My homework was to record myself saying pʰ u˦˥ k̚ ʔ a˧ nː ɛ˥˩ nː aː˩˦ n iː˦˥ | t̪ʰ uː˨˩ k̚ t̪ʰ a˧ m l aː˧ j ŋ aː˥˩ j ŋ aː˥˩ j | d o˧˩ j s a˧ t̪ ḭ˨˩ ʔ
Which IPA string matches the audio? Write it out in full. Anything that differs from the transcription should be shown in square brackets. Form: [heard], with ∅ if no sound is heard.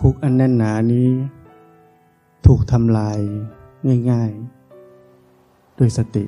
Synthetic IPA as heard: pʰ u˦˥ k̚ ʔ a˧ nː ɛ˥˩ nː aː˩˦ n iː˦˥ | t̪ʰ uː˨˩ k̚ t̪ʰ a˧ m l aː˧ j ŋ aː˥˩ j ŋ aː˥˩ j | d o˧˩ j s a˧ t̪ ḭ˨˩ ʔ